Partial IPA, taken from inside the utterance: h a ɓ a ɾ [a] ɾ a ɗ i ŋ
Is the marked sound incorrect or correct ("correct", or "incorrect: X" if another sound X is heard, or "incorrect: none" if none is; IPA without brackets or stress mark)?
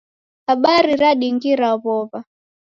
incorrect: i